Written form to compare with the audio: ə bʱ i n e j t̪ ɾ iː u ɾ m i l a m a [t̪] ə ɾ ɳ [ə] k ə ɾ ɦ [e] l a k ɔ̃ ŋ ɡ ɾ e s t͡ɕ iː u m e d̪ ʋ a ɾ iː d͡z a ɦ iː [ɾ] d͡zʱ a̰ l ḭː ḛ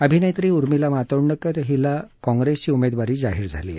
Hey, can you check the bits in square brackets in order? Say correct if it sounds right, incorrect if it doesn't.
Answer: correct, correct, incorrect: i, correct

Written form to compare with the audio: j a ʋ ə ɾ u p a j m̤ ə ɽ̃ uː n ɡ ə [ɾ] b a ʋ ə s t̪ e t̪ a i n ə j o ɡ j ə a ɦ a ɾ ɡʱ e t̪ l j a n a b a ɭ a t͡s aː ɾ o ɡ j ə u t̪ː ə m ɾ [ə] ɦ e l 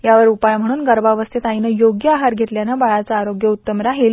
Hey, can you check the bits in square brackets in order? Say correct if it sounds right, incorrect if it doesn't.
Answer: correct, incorrect: a

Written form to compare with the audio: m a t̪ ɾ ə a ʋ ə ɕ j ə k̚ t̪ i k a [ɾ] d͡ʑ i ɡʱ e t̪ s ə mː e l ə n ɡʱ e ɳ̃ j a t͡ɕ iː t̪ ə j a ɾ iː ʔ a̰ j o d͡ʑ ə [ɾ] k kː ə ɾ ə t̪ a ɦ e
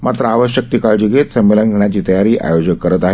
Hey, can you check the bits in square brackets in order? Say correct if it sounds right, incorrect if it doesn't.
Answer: incorrect: ɭ, incorrect: none

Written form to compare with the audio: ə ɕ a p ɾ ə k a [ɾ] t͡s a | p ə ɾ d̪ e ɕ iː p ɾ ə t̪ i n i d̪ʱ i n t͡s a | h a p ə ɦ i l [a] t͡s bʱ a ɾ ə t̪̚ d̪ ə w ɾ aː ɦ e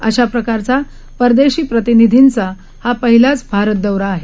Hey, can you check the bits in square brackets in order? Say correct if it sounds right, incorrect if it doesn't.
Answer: correct, correct

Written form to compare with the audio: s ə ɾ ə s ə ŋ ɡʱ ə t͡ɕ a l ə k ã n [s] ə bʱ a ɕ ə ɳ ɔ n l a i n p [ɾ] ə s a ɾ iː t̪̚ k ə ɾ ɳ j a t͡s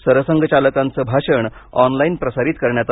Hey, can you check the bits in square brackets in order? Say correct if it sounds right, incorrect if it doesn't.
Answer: incorrect: t͡s, correct

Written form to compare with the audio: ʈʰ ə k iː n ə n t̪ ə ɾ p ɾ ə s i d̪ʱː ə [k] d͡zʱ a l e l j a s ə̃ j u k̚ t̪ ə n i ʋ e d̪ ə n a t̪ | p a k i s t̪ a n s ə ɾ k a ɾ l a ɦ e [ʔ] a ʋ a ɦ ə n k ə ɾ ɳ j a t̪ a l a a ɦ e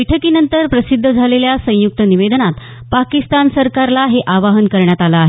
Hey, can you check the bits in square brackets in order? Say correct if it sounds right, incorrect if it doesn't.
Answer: incorrect: none, correct

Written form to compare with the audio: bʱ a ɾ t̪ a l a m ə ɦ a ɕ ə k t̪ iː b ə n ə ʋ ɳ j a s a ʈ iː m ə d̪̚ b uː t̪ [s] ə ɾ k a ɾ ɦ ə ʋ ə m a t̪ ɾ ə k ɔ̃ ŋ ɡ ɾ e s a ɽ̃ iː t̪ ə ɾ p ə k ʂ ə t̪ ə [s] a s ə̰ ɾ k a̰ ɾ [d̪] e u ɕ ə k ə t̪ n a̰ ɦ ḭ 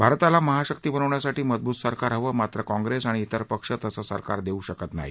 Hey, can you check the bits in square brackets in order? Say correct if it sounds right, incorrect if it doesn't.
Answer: correct, correct, correct

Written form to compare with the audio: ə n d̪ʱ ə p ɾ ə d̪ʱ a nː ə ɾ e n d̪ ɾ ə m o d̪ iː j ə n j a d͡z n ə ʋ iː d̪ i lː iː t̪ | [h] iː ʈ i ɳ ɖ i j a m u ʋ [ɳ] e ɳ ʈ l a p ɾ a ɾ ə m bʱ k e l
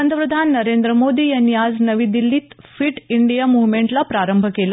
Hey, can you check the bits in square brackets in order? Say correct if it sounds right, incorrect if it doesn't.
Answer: incorrect: f, incorrect: m

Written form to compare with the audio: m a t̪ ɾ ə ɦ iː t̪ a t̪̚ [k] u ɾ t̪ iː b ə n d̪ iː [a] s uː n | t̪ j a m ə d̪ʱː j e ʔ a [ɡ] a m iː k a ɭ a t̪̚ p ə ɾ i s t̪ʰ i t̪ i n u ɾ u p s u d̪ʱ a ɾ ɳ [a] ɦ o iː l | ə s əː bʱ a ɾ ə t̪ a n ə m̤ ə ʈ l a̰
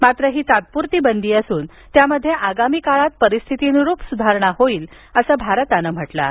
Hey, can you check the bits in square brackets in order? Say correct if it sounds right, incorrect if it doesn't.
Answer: incorrect: p, incorrect: ə, correct, correct

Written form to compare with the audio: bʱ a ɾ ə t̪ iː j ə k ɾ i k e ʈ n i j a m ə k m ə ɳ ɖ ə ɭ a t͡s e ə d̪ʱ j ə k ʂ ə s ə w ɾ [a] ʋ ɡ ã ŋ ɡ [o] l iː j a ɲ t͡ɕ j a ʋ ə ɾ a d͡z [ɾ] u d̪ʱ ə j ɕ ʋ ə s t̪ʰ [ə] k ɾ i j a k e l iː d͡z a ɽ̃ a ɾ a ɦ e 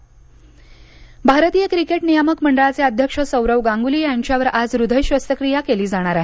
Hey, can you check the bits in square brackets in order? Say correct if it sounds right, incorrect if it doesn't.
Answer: incorrect: ə, incorrect: u, correct, correct

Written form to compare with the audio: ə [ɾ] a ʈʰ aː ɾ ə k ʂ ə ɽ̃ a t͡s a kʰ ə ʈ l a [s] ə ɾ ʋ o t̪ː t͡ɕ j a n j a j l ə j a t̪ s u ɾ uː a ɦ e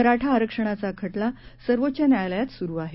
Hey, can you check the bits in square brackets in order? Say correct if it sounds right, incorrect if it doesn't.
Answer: correct, correct

